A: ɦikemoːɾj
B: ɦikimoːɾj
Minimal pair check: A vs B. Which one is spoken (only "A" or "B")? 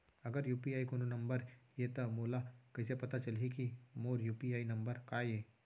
B